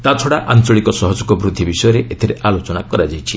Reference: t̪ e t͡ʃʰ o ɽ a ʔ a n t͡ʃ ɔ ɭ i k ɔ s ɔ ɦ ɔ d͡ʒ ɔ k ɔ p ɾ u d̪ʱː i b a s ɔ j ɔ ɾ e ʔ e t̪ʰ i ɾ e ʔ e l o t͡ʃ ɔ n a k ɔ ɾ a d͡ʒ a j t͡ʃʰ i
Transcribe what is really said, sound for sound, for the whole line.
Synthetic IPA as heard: t̪ a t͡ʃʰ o ɽ a ʔ a n t͡ʃ ɔ ɭ i k ɔ s ɔ ɦ ɔ d͡ʒ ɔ k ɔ b ɾ u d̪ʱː i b i s ɔ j ɔ ɾ e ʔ e t̪ʰ i ɾ e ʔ a l o t͡ʃ ɔ n a k ɔ ɾ a d͡ʒ a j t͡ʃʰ i